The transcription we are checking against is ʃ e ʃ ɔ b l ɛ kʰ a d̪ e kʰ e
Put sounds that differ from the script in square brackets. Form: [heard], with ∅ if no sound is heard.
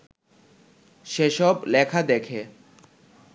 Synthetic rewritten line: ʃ e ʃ ɔ b l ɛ kʰ a d̪ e kʰ e